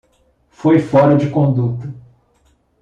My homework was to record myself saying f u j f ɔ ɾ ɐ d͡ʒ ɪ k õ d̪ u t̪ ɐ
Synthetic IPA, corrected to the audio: f o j f ɔ ɾ ɐ d͡ʒ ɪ k õ d̪ u t̪ ɐ